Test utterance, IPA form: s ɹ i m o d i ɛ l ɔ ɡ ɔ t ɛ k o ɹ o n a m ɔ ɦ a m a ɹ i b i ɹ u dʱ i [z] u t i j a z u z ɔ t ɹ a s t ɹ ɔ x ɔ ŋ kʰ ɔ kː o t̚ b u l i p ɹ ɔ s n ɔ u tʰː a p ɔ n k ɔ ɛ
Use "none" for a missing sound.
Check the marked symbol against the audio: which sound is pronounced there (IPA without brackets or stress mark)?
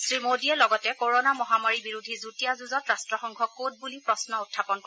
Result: z